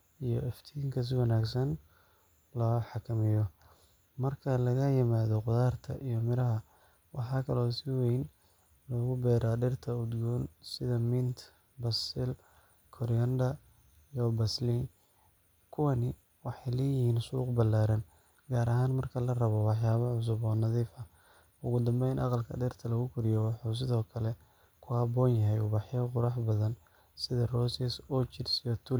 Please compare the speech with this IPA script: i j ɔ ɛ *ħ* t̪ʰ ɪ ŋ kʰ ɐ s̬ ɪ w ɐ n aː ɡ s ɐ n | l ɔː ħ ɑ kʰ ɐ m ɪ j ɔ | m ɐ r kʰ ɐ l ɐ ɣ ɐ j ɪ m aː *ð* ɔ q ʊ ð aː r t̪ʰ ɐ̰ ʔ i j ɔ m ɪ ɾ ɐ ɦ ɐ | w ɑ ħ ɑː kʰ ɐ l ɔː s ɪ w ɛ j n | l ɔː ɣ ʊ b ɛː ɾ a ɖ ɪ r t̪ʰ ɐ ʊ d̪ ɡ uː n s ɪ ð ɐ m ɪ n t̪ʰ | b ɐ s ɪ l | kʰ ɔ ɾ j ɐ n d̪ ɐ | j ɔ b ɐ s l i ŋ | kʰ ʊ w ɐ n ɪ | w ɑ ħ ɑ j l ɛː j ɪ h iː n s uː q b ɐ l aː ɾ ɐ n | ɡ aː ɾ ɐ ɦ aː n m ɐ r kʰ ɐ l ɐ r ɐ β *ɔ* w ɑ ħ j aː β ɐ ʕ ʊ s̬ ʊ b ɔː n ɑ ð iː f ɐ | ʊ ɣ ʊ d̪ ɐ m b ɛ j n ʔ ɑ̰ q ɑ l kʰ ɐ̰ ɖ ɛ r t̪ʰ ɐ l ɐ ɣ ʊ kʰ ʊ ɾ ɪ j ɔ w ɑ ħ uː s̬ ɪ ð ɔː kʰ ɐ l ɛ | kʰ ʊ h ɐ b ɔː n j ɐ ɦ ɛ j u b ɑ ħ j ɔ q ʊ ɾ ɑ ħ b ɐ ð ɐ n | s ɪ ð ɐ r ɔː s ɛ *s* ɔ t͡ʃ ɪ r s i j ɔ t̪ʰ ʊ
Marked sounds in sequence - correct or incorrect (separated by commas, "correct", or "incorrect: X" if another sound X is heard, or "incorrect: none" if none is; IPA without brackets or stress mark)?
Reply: incorrect: f, correct, correct, correct